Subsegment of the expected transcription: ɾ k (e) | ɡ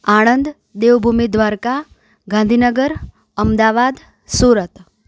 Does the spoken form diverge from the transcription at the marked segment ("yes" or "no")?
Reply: yes